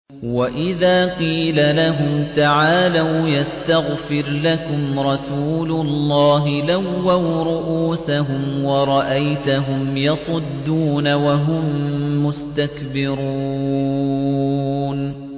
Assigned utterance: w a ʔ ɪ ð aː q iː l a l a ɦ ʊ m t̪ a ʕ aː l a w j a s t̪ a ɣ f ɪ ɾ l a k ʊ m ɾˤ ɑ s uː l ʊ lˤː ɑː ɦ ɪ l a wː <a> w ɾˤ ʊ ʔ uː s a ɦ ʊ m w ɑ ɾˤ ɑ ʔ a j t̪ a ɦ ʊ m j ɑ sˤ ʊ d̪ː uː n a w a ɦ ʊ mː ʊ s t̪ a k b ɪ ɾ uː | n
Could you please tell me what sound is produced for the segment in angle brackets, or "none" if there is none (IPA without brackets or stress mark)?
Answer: a